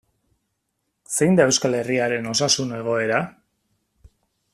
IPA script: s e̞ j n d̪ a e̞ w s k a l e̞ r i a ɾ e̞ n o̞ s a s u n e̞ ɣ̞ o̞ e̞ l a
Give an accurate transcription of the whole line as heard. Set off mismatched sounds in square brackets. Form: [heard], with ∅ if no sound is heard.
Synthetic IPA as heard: s e̞ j n d̪ a e̞ w s k a l e̞ r i a ɾ e̞ n o̞ s a s u n e̞ ɣ̞ o̞ e̞ [ɾ] a